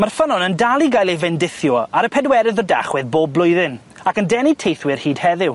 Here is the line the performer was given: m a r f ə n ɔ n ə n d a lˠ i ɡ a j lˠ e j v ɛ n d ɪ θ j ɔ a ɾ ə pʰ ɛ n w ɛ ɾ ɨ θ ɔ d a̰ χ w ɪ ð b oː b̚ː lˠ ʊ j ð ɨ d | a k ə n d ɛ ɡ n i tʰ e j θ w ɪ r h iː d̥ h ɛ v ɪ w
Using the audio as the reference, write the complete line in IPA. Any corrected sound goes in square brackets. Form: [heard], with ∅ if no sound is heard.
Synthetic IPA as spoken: m a r f ə n ɔ n ə n d a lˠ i ɡ a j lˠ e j v ɛ n d ɪ θ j ɔ a ɾ ə pʰ ɛ [d] w ɛ ɾ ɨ [ð] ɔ d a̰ χ w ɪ ð b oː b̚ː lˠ ʊ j ð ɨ [n] | a k ə n d ɛ [∅] n i tʰ e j θ w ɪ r h iː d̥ h ɛ [ð] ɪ w